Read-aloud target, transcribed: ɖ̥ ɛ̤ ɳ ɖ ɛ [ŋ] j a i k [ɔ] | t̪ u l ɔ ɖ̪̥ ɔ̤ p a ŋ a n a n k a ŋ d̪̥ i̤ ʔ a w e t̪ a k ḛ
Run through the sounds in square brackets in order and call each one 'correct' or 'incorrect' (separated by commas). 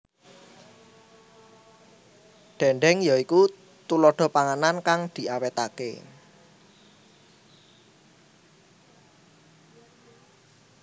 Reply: correct, incorrect